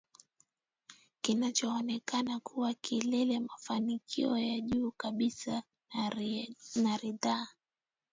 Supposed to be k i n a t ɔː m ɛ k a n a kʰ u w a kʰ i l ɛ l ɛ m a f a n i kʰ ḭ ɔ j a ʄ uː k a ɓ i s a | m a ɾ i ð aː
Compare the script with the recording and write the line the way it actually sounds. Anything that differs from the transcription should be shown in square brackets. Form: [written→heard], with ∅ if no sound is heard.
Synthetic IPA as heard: k i n a [t→t͡ʃ] ɔː [m→n] ɛ k a n a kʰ u w a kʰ i l ɛ l ɛ m a f a n i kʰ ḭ ɔ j a ʄ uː k a ɓ i s a | [m→n] a ɾ i ð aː